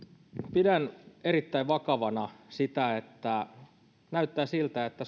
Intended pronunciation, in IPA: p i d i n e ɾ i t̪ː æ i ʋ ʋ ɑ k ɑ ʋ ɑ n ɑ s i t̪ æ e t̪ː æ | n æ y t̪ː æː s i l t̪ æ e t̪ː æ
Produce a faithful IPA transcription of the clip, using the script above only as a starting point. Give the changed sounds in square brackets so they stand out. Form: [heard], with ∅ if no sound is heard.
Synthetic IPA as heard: p i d [æ] n e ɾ i t̪ː æ i ʋ ʋ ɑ k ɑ ʋ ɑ n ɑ s i t̪ æ e t̪ː æ | n æ y t̪ː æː s i l t̪ æ e t̪ː æ